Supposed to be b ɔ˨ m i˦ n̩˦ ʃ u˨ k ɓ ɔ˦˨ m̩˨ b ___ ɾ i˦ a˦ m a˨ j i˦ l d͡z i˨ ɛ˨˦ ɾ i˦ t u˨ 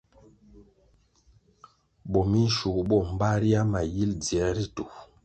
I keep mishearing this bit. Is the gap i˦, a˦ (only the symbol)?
a˦